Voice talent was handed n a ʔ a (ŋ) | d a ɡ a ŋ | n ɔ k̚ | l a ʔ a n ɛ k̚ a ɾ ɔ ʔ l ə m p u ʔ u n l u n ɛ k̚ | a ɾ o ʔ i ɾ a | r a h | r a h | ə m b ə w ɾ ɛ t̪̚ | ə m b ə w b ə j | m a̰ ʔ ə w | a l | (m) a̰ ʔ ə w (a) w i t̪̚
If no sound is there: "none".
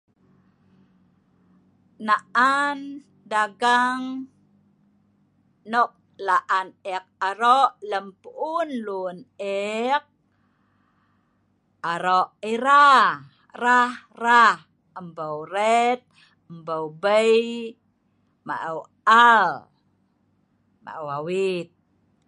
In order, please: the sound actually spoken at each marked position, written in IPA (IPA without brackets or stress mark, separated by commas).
n, m, a